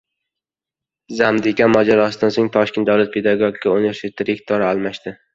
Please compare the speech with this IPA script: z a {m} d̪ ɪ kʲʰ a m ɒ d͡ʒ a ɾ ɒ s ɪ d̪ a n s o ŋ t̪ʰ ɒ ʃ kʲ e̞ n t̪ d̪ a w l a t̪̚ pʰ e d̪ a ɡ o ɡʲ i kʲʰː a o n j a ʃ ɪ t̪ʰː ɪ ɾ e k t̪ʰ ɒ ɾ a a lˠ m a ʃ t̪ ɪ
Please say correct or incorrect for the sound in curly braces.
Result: correct